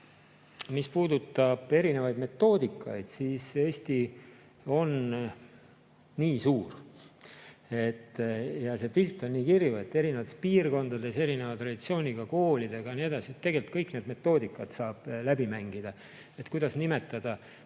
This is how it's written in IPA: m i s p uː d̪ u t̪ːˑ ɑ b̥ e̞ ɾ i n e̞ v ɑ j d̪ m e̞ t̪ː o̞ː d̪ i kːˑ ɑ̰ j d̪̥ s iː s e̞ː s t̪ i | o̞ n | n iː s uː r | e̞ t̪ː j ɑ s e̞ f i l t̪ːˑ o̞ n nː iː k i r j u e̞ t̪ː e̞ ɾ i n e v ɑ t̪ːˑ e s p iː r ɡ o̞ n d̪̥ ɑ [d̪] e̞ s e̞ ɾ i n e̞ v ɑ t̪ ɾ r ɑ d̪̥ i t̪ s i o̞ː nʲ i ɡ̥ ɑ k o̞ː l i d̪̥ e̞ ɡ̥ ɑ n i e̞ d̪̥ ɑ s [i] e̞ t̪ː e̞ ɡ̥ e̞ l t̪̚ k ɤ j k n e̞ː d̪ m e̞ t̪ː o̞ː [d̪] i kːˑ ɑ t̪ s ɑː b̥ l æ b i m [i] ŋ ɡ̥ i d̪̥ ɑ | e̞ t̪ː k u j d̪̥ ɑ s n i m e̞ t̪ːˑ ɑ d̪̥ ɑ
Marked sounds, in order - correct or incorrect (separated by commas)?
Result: correct, correct, correct, incorrect